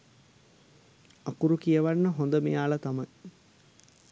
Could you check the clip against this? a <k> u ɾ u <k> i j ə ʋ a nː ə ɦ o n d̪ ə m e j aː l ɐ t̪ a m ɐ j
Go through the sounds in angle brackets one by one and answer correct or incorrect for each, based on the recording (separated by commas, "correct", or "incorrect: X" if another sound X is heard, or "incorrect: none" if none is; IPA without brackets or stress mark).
correct, correct